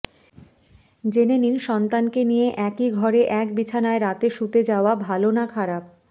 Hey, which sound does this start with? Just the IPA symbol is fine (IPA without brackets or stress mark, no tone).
d͡ʑ